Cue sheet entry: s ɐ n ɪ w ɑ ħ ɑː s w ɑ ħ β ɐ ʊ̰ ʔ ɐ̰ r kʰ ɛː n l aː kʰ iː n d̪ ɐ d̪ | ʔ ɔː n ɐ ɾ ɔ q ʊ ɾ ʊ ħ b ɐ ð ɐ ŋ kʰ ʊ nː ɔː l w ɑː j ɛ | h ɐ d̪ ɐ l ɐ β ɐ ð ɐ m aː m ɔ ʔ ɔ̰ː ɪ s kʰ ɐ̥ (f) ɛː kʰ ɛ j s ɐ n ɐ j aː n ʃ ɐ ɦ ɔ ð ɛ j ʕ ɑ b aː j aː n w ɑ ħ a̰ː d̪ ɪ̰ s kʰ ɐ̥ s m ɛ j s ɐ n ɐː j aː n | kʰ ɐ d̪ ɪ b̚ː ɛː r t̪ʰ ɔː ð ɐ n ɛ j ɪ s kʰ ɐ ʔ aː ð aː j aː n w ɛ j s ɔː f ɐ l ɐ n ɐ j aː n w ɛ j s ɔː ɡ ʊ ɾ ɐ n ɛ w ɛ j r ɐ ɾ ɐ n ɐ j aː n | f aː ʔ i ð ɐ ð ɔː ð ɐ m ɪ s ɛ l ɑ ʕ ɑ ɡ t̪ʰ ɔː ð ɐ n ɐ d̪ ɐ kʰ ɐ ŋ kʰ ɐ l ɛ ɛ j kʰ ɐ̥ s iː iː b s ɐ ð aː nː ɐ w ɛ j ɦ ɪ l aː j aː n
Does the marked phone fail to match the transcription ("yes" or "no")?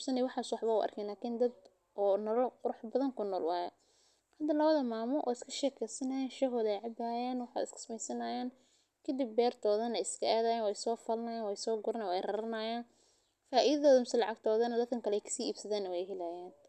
yes